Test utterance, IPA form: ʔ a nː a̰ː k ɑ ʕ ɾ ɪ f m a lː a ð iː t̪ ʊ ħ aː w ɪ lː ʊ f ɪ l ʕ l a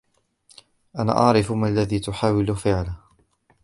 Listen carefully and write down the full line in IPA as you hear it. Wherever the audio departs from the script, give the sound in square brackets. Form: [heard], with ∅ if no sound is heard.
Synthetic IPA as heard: ʔ a [n] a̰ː [ʔ] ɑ ʕ ɾ ɪ f m a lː a ð iː t̪ ʊ ħ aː w ɪ [l] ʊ f ɪ [∅] ʕ l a

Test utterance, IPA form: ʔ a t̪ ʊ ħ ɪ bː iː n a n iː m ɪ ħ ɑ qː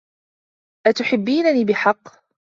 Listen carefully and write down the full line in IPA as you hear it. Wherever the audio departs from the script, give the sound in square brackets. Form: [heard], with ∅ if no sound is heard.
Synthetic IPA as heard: ʔ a t̪ ʊ ħ ɪ bː iː n a n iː [b] ɪ ħ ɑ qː

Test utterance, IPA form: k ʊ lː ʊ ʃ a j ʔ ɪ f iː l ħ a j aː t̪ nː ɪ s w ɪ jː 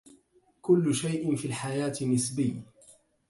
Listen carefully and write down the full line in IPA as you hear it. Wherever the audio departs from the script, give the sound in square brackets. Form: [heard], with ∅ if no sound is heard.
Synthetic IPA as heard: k ʊ lː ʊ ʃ a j ʔ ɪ f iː l ħ a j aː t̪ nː ɪ s [b] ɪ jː

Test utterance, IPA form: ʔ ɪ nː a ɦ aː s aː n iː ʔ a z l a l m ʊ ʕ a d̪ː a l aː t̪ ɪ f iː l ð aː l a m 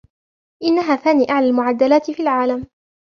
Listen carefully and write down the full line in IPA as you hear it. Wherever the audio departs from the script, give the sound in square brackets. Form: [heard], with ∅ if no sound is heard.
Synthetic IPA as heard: ʔ ɪ nː a ɦ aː [θ] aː n iː ʔ a [ʕ] l a l m ʊ ʕ a d̪ː a l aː t̪ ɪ f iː l [ʕ] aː l a m

